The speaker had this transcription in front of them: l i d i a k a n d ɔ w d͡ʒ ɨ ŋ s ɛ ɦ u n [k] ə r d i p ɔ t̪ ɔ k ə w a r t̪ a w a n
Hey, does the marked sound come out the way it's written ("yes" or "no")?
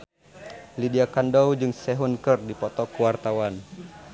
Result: yes